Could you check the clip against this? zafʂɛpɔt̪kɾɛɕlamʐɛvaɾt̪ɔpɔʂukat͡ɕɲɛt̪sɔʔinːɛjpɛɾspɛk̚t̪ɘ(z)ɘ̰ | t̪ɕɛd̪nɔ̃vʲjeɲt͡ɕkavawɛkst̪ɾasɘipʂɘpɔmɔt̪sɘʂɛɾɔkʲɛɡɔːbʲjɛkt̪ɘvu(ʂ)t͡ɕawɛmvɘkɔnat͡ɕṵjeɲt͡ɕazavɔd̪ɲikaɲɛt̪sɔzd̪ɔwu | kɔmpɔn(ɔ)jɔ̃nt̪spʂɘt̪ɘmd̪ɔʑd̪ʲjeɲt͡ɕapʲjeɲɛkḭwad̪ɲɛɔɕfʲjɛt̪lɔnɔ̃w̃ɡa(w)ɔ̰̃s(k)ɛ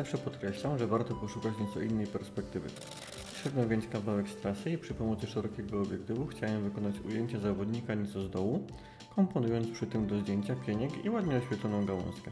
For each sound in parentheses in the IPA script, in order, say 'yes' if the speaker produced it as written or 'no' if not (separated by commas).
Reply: no, no, no, yes, yes